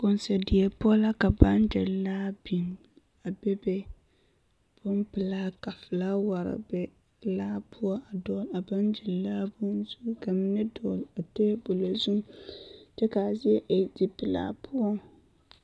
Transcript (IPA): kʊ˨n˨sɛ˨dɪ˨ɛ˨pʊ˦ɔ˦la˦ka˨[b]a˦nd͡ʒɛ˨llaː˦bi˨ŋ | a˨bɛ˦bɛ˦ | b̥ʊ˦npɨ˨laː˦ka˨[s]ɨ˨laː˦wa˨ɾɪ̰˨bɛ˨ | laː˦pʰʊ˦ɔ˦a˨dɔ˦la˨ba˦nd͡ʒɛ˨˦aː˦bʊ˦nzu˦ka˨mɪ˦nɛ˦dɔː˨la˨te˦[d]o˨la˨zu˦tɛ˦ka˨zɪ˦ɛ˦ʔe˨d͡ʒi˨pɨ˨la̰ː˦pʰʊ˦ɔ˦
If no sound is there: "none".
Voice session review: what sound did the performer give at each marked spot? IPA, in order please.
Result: b, f, b

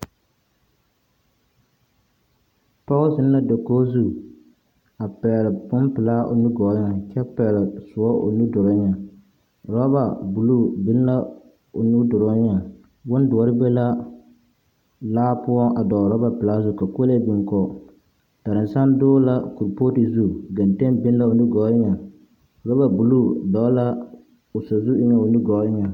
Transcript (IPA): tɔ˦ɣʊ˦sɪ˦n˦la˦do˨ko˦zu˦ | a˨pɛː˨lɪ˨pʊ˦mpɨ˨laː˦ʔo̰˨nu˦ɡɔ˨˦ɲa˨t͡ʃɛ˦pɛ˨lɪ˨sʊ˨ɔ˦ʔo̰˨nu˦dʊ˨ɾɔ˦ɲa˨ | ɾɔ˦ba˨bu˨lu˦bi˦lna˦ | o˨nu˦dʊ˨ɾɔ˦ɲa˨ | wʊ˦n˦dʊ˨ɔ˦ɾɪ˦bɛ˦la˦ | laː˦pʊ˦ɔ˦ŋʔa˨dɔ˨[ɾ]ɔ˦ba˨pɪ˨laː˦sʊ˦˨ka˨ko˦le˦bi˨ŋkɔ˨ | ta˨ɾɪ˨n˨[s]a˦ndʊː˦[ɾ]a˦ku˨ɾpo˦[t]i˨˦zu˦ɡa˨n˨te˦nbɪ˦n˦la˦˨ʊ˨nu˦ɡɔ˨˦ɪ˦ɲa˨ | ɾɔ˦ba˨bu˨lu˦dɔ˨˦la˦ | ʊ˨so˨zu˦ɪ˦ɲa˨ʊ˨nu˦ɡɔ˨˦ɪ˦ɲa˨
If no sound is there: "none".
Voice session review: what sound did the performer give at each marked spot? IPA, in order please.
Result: ɾ, s, l, t

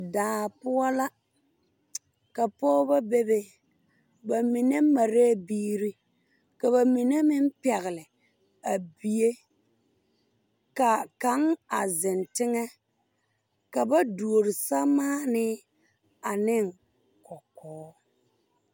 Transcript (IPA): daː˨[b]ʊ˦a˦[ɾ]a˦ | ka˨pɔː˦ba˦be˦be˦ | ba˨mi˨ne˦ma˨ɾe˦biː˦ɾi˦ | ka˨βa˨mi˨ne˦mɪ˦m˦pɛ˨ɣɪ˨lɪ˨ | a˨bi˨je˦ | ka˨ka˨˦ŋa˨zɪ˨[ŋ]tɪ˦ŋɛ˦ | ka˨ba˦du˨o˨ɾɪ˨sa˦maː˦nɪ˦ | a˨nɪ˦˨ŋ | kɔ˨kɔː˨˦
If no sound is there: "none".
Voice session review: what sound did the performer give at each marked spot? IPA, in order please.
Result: p, l, n

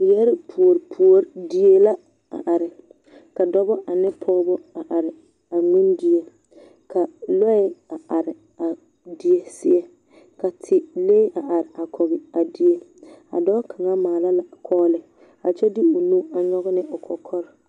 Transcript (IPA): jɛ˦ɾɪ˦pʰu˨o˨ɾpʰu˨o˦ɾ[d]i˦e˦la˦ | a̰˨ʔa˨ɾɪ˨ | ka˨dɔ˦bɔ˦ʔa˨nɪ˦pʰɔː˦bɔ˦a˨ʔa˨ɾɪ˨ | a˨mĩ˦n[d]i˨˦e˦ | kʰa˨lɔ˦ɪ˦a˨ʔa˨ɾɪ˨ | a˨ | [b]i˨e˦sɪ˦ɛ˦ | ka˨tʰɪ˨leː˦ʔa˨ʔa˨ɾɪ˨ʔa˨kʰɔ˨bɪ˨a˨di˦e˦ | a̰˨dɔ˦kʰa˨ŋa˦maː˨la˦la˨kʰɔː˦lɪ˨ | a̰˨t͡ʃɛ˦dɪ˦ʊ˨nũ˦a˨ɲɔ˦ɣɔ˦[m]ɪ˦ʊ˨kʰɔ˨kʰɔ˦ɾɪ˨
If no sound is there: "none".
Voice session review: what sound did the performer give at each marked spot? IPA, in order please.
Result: d, d, d, n

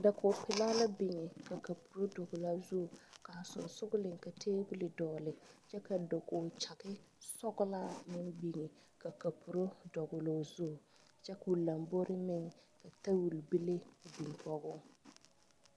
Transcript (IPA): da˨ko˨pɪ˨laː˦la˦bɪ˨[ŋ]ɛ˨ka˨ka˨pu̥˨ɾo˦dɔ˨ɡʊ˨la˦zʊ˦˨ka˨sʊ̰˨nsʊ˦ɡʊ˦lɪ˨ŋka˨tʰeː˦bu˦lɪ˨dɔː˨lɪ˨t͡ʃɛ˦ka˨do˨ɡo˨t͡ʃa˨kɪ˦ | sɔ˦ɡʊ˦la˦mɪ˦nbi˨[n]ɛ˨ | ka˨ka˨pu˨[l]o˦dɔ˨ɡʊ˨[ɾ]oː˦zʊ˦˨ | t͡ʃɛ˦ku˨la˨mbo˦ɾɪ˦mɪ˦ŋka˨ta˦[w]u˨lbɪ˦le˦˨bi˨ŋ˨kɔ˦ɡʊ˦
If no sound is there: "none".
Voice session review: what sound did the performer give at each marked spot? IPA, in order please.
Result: ŋ, ŋ, ɾ, l, w

